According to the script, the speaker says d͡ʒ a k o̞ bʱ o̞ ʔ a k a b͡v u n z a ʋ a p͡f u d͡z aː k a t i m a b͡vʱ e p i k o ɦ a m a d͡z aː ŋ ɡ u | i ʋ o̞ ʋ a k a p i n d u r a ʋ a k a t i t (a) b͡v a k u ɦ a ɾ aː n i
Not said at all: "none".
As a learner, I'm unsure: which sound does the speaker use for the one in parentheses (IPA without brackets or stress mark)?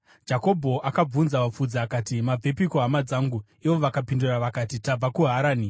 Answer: a